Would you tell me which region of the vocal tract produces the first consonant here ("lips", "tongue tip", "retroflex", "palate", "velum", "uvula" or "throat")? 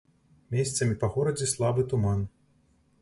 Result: lips